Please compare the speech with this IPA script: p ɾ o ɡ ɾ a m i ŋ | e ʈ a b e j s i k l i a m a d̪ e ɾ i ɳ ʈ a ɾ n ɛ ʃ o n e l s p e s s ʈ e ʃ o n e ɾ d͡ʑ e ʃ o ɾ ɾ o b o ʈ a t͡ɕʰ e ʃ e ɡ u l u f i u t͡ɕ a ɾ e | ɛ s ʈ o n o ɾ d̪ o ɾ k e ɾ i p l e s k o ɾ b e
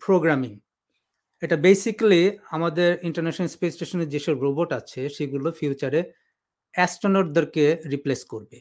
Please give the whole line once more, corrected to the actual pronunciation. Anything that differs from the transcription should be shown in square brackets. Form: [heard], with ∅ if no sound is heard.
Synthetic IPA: p ɾ o ɡ ɾ a m i ŋ | e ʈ a b e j s i k l i a m a d̪ e ɾ i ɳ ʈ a ɾ n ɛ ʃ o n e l s p e s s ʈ e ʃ o n e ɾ d͡ʑ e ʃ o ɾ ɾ o b o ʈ a t͡ɕʰ e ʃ e ɡ u l [o] f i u t͡ɕ a ɾ e | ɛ s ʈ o n o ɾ d̪ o ɾ k e ɾ i p l e s k o ɾ b e